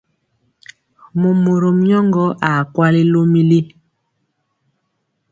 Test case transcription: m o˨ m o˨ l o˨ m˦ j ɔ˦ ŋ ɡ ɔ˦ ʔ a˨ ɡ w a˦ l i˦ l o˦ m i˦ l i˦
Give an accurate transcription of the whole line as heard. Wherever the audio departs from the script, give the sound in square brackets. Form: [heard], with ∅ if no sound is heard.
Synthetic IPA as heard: m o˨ m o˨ [ɾ] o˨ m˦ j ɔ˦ ŋ ɡ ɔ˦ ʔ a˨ [k] w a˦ l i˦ l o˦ m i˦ l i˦